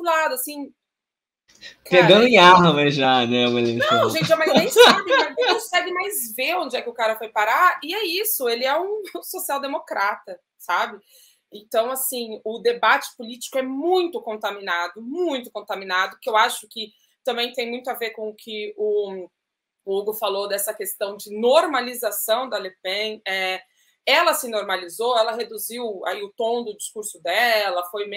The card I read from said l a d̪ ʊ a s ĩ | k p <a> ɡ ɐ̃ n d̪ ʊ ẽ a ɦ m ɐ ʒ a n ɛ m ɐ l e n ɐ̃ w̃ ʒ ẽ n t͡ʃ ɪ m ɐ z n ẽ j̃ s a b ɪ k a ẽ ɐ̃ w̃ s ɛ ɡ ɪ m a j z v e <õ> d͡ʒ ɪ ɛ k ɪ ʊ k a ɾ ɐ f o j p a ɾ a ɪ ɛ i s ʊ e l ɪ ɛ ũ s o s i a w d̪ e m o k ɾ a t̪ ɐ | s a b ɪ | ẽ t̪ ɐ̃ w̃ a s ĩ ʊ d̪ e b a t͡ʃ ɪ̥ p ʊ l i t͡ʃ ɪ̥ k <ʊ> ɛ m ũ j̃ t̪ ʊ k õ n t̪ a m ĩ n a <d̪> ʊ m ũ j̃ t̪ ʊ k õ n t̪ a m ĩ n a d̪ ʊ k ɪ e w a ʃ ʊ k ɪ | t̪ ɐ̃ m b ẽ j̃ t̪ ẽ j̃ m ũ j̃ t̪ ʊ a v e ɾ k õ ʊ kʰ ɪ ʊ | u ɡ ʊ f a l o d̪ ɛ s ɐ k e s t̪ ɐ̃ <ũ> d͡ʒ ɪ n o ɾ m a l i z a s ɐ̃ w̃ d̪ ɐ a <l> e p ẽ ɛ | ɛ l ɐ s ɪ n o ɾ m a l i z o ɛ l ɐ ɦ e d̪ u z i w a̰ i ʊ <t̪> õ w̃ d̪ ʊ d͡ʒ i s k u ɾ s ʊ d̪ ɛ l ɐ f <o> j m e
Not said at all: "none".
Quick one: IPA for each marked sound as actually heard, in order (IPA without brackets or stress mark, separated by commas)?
e, õ, ʊ, d̪, w̃, l, t̪, o